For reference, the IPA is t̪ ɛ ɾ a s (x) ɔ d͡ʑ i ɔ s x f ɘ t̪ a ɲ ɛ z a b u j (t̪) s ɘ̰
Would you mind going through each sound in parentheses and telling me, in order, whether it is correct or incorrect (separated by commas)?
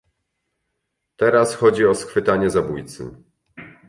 correct, correct